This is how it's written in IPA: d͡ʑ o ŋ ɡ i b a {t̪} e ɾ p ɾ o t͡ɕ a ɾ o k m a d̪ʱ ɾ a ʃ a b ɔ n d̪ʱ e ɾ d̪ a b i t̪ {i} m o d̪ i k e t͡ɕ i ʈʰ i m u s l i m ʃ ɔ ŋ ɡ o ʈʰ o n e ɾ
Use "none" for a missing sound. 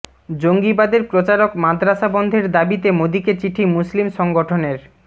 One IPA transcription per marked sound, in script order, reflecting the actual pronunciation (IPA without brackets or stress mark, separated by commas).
d̪, e